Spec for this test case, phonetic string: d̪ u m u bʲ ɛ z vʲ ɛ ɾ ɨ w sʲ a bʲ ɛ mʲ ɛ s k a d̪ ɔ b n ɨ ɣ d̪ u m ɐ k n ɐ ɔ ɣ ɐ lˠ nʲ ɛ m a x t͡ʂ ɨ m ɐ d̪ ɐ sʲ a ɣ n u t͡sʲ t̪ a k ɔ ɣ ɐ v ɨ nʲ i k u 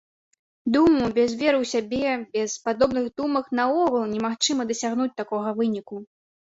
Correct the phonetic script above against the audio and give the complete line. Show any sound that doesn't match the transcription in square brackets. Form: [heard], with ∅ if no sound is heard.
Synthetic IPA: d̪ u m u bʲ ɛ z vʲ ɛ ɾ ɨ w sʲ a bʲ ɛ [bʲ] ɛ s [p] a d̪ ɔ b n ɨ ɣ d̪ u m ɐ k n ɐ ɔ ɣ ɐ lˠ nʲ ɛ m a x t͡ʂ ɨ m ɐ d̪ ɐ sʲ a ɣ n u t͡sʲ t̪ a k ɔ ɣ ɐ v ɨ nʲ i k u